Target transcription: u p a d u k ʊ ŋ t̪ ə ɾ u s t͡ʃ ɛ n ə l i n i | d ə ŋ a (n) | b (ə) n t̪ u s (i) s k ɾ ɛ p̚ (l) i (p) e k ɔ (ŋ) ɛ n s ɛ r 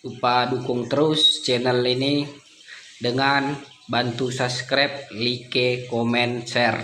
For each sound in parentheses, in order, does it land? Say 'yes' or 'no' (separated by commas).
yes, no, no, yes, no, no